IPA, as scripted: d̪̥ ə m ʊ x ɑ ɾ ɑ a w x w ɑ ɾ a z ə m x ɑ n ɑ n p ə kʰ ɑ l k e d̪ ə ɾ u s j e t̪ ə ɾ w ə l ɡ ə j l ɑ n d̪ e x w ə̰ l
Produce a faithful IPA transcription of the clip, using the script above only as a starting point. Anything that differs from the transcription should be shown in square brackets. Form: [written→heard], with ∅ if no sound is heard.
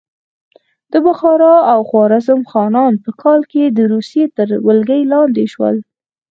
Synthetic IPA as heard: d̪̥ ə [m→b] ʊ x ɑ ɾ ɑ a w x w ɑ ɾ a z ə m x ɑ n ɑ n p ə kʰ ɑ l k e d̪ ə ɾ u s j e t̪ ə ɾ w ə l ɡ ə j l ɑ n d̪ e [x→ʃ] w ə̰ l